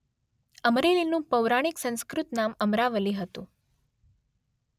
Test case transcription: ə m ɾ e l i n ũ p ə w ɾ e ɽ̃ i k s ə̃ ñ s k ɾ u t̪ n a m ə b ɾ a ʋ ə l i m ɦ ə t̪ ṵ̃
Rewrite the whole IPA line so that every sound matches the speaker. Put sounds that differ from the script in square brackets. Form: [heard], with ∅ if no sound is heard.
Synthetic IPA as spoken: ə m ɾ e l i n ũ p ə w ɾ [a] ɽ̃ i k s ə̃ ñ s k ɾ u t̪ n a m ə [m] ɾ a ʋ ə l i [∅] ɦ ə t̪ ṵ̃